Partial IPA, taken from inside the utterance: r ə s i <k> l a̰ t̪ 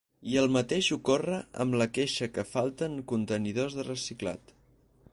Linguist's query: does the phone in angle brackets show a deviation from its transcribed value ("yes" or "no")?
no